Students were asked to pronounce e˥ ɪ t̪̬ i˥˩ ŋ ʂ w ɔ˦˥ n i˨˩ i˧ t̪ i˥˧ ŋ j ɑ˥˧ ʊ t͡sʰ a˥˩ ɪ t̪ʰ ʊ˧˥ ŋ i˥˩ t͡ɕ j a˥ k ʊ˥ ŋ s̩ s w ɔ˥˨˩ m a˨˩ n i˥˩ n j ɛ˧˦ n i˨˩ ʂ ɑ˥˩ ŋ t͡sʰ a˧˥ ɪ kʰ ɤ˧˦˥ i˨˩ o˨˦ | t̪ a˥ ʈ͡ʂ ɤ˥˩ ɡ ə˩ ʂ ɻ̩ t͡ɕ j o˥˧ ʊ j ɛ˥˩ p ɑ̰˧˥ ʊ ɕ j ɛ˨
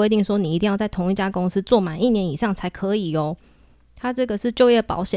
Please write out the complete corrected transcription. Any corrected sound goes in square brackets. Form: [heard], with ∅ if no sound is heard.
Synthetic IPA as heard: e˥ ɪ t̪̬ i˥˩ ŋ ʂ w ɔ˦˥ n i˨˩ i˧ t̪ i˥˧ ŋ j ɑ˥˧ ʊ [t͡s] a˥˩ ɪ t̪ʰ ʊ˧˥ ŋ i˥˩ t͡ɕ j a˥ k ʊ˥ ŋ s̩ [t͡s] w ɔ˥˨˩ m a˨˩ n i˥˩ n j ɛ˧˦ n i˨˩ ʂ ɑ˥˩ ŋ t͡sʰ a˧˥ ɪ kʰ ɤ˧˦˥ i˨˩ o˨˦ | [t̪ʰ] a˥ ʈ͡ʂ ɤ˥˩ ɡ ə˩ ʂ ɻ̩ t͡ɕ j o˥˧ ʊ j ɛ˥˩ p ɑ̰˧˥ ʊ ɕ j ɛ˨